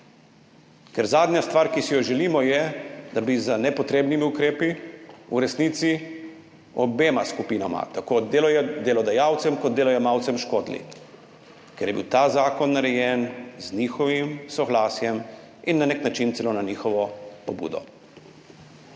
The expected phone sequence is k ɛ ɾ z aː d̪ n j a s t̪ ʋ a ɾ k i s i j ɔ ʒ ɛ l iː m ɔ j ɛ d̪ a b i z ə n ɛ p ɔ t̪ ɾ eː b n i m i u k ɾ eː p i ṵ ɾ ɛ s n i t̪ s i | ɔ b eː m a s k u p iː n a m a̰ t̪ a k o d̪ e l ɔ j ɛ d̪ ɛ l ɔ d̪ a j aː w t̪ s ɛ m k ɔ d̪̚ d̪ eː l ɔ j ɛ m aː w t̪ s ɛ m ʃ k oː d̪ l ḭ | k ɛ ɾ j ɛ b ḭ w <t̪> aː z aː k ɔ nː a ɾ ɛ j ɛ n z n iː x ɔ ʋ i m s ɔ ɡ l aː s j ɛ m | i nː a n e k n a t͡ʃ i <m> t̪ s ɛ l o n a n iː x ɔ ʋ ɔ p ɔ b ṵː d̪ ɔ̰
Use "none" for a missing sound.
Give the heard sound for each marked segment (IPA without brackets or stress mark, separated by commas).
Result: t̪, n